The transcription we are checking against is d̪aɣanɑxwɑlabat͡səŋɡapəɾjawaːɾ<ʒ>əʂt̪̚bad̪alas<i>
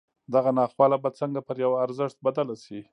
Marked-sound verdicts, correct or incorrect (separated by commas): incorrect, correct